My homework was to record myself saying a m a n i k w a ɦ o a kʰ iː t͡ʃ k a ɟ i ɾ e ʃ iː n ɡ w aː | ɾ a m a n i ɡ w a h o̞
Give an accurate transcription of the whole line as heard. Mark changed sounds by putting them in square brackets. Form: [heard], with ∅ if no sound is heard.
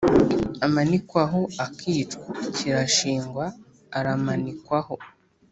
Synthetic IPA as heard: a m a n i k w a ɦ o a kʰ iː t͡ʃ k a [c] i ɾ [a] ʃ iː [ŋ] ɡ w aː | ɾ a m a n i [k] w a h o̞